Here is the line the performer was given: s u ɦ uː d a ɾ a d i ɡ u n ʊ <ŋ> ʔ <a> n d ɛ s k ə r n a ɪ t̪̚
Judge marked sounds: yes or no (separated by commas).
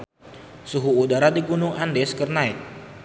yes, yes